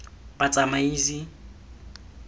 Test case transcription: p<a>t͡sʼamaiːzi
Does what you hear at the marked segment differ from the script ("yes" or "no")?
no